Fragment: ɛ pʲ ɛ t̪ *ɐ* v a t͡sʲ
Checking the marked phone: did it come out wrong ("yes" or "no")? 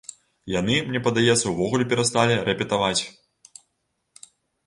yes